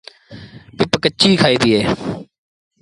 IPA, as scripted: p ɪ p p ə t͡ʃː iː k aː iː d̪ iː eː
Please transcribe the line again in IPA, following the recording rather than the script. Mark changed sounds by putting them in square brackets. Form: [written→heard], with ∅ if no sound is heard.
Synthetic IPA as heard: p ɪ p [p→k] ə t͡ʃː iː [k→kʰ] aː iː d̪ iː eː